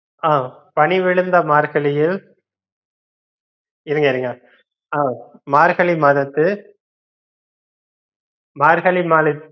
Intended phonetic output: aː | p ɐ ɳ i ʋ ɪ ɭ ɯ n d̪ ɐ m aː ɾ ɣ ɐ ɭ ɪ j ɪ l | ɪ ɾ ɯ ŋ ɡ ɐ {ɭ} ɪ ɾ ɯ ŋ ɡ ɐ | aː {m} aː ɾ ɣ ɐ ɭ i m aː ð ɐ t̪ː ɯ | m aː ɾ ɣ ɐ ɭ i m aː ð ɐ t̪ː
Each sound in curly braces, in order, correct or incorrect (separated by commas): incorrect, correct